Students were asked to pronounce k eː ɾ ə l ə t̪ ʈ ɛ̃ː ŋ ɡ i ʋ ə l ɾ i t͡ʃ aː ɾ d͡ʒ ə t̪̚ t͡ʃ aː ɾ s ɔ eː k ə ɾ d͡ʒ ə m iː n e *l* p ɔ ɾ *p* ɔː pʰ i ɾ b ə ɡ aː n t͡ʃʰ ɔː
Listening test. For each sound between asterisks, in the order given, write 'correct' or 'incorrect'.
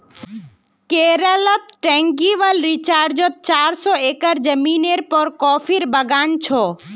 incorrect: ɾ, incorrect: k

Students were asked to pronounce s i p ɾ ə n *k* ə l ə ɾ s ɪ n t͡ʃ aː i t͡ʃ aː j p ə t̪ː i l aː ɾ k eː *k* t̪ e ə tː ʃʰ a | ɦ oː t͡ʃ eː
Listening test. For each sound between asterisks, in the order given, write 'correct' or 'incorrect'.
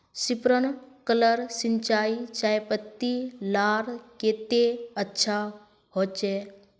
correct, incorrect: none

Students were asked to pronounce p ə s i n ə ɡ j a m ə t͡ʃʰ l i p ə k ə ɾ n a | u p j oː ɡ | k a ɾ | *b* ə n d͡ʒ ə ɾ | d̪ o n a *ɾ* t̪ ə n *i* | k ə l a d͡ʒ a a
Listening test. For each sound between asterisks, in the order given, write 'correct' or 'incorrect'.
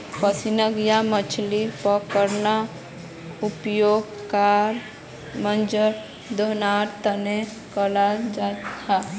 incorrect: m, correct, incorrect: e

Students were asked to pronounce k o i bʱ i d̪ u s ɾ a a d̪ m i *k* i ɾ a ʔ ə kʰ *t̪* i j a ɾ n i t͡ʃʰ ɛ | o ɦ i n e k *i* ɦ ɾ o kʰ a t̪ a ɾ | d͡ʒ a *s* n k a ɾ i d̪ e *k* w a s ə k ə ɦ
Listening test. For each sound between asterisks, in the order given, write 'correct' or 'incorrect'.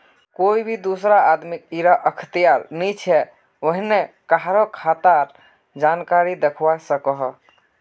correct, correct, incorrect: a, incorrect: none, incorrect: kʰ

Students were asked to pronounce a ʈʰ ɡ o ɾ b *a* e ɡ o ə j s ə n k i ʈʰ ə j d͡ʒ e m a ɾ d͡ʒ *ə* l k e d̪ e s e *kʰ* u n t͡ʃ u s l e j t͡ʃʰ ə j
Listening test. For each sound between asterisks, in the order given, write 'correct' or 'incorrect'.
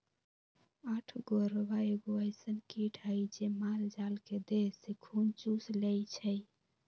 correct, incorrect: a, correct

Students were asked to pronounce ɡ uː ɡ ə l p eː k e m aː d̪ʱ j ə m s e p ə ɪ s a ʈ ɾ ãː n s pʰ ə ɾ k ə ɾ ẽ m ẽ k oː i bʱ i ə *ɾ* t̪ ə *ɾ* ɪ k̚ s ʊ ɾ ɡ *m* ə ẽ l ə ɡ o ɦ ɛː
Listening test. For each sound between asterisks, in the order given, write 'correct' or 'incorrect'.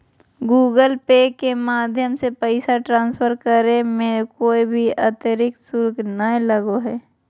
incorrect: none, correct, incorrect: n

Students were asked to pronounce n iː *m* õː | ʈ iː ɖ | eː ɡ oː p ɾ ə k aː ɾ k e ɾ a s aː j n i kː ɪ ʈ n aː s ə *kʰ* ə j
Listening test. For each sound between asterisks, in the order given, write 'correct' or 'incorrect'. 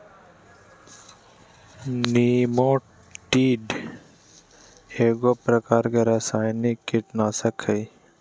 correct, correct

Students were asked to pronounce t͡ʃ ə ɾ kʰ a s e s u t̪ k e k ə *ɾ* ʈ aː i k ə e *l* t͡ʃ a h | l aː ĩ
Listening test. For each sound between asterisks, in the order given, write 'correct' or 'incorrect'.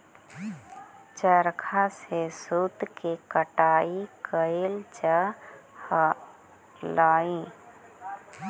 incorrect: none, correct

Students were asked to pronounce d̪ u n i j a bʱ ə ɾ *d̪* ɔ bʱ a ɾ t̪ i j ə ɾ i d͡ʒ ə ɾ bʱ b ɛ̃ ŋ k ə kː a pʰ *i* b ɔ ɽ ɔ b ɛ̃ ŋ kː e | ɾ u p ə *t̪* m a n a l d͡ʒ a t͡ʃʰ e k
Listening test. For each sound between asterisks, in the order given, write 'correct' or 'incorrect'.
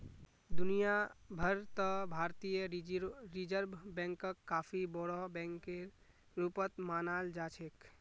incorrect: t̪, correct, correct

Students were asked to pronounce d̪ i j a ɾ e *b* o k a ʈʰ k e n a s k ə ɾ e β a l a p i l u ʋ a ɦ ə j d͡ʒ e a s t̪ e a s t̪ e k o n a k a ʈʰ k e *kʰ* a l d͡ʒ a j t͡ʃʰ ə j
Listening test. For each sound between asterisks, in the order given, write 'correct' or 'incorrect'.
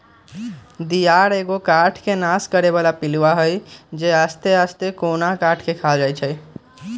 incorrect: ɡ, correct

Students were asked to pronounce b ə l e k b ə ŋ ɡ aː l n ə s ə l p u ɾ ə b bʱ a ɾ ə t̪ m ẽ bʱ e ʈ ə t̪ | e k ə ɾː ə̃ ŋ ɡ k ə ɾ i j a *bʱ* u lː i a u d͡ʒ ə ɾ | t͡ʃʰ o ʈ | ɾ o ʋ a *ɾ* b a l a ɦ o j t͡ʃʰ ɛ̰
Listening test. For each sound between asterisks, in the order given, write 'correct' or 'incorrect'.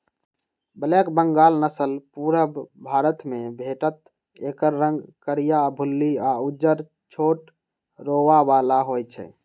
correct, incorrect: none

